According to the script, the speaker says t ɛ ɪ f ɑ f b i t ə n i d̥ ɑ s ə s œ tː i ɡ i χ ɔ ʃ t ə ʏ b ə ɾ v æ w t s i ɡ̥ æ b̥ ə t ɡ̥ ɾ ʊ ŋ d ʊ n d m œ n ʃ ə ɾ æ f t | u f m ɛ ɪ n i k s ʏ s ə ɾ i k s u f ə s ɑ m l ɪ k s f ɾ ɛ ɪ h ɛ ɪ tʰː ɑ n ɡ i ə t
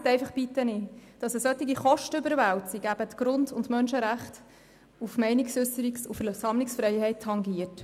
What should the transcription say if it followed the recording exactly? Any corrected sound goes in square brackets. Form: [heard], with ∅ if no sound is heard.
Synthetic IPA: t ɛ ɪ f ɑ [χ] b i t ə n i d̥ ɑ s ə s œ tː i ɡ i χ ɔ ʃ t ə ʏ b ə ɾ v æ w t s i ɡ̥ æ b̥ ə t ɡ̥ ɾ ʊ [n] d ʊ n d m œ n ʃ ə ɾ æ [χ] t | u f m ɛ ɪ n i k s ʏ s ə ɾ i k s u f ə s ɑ m l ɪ k s f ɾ ɛ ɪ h ɛ ɪ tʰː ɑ [ŋ] ɡ i ə t